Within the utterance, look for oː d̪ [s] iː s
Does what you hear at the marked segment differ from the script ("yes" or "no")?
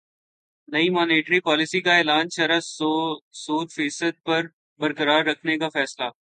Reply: yes